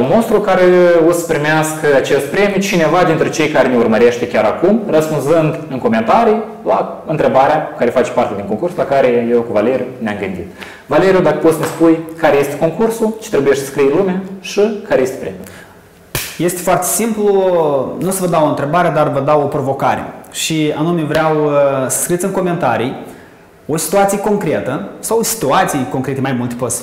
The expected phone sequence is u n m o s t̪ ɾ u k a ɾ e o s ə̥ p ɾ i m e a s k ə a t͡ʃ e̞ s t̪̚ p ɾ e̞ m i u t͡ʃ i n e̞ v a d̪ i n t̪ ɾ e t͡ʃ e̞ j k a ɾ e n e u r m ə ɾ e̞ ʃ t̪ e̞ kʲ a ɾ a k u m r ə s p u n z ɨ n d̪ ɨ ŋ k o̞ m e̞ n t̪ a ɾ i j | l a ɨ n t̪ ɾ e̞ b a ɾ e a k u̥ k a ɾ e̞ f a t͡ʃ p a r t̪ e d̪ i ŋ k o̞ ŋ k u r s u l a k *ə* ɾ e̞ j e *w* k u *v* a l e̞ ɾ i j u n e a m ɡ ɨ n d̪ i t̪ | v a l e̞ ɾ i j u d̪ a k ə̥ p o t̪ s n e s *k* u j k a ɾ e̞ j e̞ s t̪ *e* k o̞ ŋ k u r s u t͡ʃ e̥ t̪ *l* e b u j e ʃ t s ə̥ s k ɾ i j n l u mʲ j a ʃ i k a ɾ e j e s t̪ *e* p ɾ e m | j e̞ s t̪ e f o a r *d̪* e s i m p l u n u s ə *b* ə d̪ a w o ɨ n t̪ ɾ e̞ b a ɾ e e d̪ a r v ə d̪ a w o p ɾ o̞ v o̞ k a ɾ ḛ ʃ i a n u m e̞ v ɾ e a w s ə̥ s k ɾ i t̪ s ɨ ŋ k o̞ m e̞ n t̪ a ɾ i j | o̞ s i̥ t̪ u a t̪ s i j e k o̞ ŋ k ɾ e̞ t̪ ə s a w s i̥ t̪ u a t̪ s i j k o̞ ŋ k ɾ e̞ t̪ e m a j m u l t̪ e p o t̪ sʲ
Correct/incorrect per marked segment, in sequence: incorrect, correct, correct, incorrect, correct, incorrect, correct, incorrect, incorrect

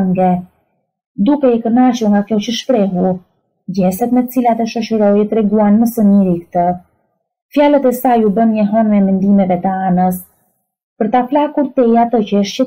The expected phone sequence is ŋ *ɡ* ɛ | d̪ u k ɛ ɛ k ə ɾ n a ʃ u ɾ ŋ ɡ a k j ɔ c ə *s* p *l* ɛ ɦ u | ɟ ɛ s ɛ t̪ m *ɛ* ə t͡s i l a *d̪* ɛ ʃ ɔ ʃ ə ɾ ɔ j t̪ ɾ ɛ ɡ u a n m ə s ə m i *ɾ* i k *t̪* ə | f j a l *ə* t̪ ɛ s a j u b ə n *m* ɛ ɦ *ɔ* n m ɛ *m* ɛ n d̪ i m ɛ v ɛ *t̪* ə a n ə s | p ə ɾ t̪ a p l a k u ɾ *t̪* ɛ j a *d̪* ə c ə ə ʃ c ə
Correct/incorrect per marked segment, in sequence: correct, incorrect, incorrect, correct, incorrect, correct, correct, correct, incorrect, correct, correct, correct, correct, incorrect

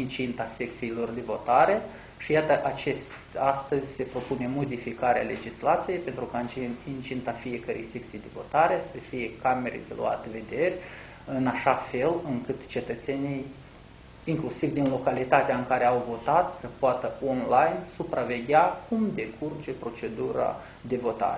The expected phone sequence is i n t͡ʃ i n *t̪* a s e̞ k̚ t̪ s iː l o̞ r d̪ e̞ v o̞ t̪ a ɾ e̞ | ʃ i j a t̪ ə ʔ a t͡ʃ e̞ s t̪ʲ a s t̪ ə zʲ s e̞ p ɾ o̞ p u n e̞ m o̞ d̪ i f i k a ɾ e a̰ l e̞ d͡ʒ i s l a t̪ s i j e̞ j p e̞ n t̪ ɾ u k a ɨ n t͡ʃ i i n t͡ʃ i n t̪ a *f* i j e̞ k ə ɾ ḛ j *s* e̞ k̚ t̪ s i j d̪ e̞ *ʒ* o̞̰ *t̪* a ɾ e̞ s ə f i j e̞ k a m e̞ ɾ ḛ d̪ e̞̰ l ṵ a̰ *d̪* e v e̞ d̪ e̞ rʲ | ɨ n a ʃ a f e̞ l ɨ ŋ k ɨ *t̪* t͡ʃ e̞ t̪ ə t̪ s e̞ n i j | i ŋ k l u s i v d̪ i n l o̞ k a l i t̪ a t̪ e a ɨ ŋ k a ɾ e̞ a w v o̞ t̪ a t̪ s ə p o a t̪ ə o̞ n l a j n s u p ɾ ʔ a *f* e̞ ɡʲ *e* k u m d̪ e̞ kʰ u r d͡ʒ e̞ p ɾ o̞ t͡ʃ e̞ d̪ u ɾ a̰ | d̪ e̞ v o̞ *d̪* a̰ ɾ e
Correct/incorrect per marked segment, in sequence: correct, correct, correct, incorrect, correct, incorrect, correct, incorrect, incorrect, incorrect

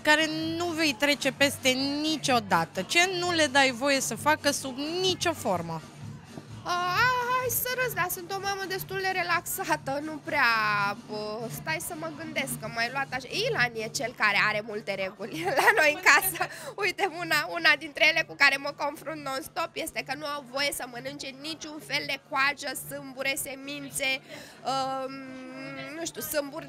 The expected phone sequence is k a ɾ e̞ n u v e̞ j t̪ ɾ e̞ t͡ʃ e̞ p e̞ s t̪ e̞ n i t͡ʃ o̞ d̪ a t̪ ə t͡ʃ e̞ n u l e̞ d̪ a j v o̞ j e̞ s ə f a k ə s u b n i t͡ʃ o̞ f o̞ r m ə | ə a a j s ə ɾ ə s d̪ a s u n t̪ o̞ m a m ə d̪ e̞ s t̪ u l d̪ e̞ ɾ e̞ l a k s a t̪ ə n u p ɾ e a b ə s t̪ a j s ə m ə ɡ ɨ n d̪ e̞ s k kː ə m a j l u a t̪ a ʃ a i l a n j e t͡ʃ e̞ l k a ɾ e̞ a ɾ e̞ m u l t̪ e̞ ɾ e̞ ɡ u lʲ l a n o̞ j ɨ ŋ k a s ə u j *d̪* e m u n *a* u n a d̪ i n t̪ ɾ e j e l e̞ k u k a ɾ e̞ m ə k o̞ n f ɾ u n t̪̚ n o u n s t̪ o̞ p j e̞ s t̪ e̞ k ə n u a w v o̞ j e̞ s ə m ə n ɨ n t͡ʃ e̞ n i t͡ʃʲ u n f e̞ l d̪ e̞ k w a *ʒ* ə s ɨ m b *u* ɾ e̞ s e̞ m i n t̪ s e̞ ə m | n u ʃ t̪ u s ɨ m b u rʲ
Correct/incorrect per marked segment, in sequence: incorrect, correct, correct, correct

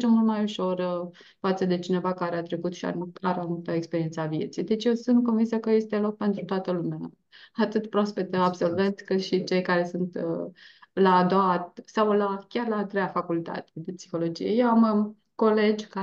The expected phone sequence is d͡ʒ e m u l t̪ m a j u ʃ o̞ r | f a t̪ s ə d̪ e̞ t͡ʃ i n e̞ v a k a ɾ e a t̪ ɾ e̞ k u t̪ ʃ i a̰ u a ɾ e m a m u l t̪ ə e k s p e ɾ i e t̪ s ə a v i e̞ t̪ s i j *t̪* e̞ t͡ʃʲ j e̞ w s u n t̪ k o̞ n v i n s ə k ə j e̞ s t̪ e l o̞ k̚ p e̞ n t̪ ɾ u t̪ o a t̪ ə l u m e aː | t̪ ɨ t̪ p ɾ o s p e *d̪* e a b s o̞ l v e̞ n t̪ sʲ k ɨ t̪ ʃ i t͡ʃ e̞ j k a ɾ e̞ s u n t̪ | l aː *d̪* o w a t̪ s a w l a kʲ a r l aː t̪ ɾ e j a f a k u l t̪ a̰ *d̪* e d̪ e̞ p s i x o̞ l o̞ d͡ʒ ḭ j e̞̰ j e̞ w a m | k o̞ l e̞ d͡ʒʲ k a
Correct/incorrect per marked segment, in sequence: incorrect, incorrect, correct, incorrect

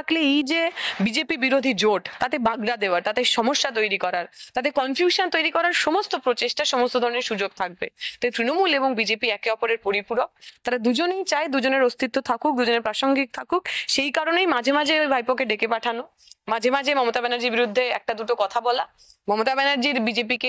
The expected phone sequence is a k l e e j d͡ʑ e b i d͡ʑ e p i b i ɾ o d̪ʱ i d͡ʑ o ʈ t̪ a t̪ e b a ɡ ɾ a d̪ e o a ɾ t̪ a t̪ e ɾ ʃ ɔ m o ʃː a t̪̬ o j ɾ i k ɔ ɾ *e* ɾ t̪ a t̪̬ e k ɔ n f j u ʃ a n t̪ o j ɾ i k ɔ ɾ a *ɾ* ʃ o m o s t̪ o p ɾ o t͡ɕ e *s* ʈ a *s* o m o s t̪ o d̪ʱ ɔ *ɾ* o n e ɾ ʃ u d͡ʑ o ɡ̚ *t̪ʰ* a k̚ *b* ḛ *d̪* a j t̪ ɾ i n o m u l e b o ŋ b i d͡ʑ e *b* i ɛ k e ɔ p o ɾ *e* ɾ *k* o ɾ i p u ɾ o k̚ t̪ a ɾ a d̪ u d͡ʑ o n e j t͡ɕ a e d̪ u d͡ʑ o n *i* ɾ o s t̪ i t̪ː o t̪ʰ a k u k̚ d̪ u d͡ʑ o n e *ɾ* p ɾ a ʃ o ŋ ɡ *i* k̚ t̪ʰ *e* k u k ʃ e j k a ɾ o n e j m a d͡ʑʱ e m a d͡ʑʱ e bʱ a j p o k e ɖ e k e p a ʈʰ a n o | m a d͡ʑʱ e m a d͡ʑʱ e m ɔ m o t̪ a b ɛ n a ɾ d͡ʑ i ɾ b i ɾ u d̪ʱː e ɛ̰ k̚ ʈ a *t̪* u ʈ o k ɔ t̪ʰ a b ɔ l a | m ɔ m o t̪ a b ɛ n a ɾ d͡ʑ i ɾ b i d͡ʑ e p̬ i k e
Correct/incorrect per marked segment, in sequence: incorrect, correct, incorrect, incorrect, correct, correct, correct, incorrect, incorrect, correct, incorrect, incorrect, correct, correct, incorrect, incorrect

